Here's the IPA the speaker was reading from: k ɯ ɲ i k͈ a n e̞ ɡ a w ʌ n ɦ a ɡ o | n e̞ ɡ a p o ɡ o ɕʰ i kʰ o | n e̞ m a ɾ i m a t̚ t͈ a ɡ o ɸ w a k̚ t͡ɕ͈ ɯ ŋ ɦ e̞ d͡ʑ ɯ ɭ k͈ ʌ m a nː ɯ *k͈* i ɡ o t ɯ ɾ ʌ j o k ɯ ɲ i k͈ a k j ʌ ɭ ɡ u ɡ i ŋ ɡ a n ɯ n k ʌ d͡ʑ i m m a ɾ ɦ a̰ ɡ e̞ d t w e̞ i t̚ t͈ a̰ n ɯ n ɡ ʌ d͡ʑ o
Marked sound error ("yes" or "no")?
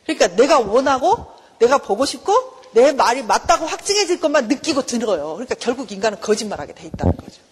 no